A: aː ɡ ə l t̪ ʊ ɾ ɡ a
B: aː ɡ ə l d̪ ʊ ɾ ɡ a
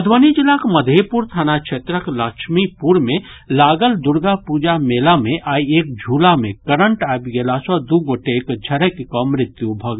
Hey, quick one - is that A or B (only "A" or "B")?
B